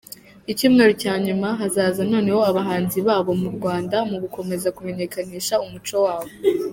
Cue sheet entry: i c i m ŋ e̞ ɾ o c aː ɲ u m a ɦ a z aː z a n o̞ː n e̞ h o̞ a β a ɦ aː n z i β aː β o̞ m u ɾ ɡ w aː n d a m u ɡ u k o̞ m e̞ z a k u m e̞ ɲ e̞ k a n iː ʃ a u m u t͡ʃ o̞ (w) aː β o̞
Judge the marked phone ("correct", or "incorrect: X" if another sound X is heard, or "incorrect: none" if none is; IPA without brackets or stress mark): correct